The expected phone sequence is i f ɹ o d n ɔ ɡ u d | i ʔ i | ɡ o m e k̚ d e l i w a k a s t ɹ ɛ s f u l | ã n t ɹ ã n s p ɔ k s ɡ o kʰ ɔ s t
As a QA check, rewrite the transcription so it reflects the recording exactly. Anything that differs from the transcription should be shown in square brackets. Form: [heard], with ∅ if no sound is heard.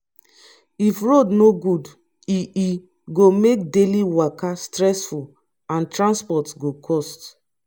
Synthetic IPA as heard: i f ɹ o d n [o] ɡ u d | i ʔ i | ɡ o m e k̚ d e l i w a k a s t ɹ ɛ s f u l | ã n t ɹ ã n s p ɔ [t] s ɡ o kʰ ɔ s t

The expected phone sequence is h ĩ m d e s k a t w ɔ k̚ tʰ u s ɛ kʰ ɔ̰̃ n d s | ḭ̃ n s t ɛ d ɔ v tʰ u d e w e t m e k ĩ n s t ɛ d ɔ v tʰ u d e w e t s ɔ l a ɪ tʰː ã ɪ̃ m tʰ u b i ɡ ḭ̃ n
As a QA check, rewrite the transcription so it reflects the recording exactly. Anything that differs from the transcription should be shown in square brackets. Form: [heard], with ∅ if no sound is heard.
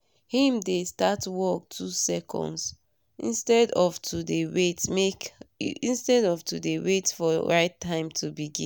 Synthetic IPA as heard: h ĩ m d e s [t] a t w ɔ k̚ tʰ u s ɛ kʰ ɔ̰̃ n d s | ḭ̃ n s t ɛ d ɔ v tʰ u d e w e t m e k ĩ n s t ɛ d ɔ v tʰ u d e w e t [f] ɔ [ɹ] a ɪ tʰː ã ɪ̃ m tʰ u b i ɡ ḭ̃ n

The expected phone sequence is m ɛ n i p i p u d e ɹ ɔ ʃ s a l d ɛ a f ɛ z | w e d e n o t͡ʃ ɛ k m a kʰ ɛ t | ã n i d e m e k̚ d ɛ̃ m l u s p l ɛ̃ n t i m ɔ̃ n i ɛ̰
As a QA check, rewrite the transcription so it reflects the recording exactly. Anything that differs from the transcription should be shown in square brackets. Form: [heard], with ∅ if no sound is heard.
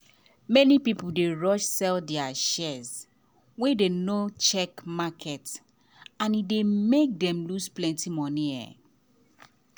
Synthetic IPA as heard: m ɛ n i p i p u d e ɹ ɔ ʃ s [ɛ] l d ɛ a [ʃ] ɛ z | w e d e n o t͡ʃ ɛ k m a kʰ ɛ t | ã n i d e m e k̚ d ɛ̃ m l u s p l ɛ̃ n t i m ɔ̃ n i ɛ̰

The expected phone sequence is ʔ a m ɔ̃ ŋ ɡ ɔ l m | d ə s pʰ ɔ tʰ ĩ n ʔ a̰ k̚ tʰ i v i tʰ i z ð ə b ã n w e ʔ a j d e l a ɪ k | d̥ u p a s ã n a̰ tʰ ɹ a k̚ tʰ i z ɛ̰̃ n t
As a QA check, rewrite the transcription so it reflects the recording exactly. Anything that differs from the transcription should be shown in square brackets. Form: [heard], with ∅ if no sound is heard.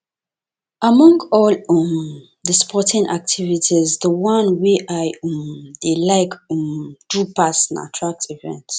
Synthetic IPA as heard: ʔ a m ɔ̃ ŋ ɡ ɔ l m | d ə s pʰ ɔ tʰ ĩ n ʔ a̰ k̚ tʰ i v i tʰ i z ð ə [w] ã n w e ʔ a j d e l a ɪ k | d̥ u p a s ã n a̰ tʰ ɹ a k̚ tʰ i [v] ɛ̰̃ n t

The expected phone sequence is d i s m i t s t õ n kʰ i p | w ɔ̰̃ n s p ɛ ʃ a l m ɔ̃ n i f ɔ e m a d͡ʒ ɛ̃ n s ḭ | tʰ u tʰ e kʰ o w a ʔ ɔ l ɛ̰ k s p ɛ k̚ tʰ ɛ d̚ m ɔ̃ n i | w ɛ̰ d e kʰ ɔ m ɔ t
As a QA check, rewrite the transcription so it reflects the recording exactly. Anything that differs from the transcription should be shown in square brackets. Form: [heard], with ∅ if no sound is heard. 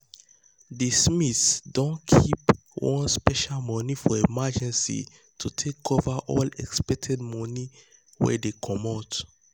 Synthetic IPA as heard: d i s m i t s [d] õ n kʰ i p | w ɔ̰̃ n s p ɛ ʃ a l m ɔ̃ n i f ɔ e m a d͡ʒ ɛ̃ n s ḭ | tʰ u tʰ e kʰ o [v] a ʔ ɔ l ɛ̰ k s p ɛ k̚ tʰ ɛ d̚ m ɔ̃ n i | w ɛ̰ d e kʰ ɔ m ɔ t

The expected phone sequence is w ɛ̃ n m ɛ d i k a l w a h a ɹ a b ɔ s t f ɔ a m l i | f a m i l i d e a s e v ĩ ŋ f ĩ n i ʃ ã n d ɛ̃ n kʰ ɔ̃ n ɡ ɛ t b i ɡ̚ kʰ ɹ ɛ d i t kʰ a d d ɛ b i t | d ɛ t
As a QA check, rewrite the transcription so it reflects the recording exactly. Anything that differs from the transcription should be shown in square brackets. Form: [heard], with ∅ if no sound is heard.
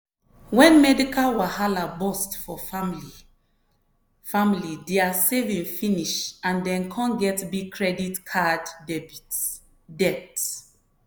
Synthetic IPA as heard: w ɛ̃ n m ɛ d i k a l w a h a [l] a b ɔ s t f ɔ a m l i | f a m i l i d e a s e v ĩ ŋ f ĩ n i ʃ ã n d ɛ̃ n kʰ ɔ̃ n ɡ ɛ t b i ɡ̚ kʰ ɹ ɛ d i t kʰ a d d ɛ b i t | d ɛ t

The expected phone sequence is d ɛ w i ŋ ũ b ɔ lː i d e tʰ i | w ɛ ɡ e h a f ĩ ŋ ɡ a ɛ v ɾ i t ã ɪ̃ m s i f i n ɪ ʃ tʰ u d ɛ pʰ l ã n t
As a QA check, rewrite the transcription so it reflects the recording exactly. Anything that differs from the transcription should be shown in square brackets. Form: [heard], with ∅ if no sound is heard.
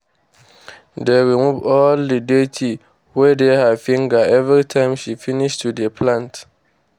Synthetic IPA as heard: d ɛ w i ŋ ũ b ɔ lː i d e tʰ i | w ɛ [d] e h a f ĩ ŋ ɡ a ɛ v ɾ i [tʰ] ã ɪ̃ m [ʃ] i f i n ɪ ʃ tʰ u d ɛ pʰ l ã n t

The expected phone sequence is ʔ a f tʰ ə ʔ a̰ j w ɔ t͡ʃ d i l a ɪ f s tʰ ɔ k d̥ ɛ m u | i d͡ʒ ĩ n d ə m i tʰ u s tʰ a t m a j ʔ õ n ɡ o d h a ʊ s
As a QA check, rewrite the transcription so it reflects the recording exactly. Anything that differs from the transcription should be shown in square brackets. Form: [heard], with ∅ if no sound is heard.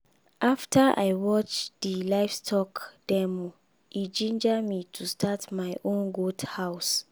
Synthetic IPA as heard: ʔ a f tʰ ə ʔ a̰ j w ɔ t͡ʃ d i l a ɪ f s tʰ ɔ k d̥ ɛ m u | i d͡ʒ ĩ n [d͡ʒ] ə m i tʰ u s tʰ a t m a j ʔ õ n ɡ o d h a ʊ s

